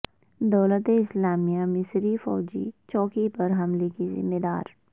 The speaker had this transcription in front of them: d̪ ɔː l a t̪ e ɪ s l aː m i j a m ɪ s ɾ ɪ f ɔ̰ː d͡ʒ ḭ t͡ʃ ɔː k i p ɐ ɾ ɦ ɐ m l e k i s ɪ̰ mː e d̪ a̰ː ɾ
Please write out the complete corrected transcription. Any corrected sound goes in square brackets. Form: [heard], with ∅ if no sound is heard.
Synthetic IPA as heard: d̪ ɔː l [ə] t̪ e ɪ s l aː m i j a m ɪ s ɾ [i] f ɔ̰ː d͡ʒ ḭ t͡ʃ ɔː k i p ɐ ɾ ɦ ɐ m l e k i [z] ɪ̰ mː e d̪ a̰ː ɾ